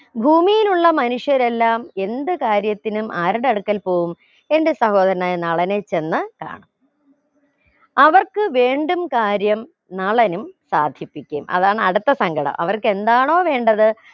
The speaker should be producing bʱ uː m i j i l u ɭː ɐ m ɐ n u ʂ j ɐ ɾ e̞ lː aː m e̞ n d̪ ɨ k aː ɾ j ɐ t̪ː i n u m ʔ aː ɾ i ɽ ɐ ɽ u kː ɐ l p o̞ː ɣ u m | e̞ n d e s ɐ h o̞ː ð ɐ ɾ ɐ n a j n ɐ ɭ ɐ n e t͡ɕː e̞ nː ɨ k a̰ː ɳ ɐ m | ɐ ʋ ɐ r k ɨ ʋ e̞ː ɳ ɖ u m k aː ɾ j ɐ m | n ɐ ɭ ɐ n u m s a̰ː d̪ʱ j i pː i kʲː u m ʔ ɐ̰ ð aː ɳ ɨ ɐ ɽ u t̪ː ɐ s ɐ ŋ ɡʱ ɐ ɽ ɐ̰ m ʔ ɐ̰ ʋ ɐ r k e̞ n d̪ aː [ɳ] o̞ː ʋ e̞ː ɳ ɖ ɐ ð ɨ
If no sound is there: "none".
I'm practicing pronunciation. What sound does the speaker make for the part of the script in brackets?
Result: ɳ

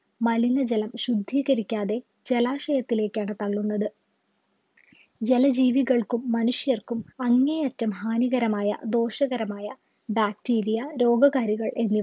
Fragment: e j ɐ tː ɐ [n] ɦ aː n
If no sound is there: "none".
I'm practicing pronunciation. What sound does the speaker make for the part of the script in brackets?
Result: m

